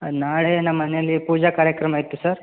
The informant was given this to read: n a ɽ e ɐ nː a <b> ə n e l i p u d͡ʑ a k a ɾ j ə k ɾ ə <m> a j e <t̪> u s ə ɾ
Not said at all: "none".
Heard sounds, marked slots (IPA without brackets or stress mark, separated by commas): m, m, t̪